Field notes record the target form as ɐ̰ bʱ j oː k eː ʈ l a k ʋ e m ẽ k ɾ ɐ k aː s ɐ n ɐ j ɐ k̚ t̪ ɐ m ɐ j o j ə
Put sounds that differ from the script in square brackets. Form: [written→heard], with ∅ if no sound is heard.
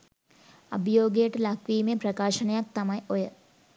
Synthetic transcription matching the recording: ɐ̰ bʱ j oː [k→ɡ] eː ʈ l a k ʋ [e→i] m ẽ [k→p] ɾ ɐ k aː [s→ʃ] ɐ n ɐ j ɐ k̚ t̪ ɐ m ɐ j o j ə